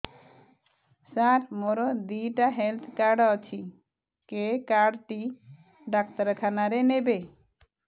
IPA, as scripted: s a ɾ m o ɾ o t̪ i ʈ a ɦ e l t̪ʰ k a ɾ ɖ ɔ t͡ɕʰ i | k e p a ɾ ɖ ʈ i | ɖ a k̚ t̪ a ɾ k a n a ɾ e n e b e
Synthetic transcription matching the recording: s a ɾ m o ɾ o d̪ i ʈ a ɦ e l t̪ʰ k a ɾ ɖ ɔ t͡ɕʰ i | k e k a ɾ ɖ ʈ i | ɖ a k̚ t̪ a ɾ kʰ a n a ɾ e n e b e